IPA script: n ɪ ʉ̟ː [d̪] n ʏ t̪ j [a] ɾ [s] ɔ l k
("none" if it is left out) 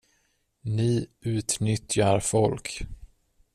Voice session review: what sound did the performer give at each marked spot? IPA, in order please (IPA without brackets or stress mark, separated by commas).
t̪, a, f